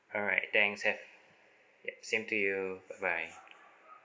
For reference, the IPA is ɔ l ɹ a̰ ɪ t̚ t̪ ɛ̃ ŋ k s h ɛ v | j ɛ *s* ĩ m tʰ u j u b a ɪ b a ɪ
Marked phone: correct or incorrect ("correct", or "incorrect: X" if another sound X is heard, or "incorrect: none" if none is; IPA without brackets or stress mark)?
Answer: correct